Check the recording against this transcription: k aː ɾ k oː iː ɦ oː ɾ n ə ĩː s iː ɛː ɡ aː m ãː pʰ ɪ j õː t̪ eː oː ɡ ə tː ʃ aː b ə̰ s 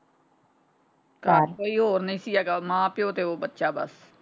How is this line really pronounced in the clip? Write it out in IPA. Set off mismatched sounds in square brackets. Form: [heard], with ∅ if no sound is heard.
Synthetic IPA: k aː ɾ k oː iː ɦ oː ɾ n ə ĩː s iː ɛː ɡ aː m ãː [p] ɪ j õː t̪ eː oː [b] ə tː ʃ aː b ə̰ s